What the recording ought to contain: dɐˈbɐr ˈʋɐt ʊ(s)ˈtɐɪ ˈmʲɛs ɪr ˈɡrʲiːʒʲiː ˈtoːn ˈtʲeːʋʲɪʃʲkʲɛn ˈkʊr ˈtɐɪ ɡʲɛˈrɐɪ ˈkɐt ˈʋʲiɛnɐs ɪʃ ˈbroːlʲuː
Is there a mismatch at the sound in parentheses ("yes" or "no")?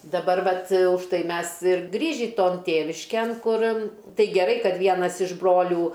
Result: yes